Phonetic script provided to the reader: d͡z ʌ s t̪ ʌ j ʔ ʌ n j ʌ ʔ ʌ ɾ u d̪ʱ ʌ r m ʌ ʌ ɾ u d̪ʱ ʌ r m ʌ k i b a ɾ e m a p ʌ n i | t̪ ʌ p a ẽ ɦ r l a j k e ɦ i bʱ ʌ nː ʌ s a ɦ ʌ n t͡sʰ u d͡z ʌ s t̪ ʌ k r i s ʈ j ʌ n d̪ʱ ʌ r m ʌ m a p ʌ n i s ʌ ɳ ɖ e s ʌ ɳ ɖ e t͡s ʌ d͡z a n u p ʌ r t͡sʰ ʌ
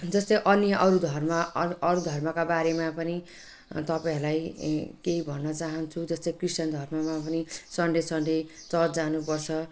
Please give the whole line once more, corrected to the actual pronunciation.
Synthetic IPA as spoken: d͡z ʌ s t̪ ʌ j ʔ ʌ n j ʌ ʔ ʌ ɾ u d̪ʱ ʌ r m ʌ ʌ ɾ u d̪ʱ ʌ r m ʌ k a b a ɾ e m a p ʌ n i | t̪ ʌ p a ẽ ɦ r l a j k e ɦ i bʱ ʌ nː ʌ t͡s a ɦ ʌ n t͡sʰ u d͡z ʌ s t̪ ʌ k r i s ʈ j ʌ n d̪ʱ ʌ r m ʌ m a p ʌ n i s ʌ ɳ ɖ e s ʌ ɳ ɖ e t͡s ʌ d͡z a n u p ʌ r t͡sʰ ʌ